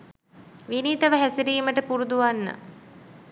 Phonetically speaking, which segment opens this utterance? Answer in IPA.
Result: ʋ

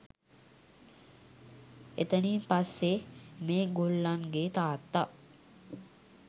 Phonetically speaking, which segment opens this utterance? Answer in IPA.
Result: e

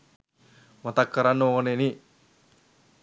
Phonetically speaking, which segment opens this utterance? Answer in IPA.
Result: m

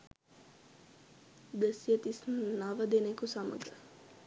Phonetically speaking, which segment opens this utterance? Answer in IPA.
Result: d̪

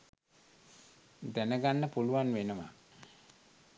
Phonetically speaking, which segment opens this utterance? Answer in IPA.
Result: d̪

